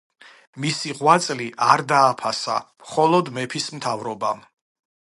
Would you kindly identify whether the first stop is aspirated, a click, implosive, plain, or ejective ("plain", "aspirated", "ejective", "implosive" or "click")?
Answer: plain